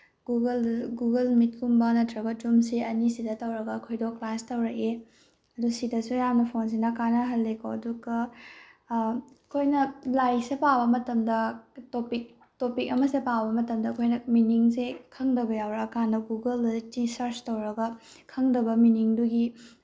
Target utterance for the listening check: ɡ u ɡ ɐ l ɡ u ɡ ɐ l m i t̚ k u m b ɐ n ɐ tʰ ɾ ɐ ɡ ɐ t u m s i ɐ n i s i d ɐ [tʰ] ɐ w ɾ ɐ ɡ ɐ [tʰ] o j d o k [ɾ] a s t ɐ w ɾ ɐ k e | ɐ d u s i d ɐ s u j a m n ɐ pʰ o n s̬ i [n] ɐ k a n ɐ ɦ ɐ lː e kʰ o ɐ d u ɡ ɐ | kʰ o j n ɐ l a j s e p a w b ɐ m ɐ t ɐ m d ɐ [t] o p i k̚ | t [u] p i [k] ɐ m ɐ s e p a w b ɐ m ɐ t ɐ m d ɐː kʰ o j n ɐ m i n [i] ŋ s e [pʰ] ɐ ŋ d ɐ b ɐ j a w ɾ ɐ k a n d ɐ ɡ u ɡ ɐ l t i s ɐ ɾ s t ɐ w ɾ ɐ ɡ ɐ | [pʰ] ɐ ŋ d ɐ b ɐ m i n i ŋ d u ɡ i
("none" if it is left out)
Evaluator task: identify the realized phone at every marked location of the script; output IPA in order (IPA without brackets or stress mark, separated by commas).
t, kʰ, l, n, t, o, k, i, kʰ, kʰ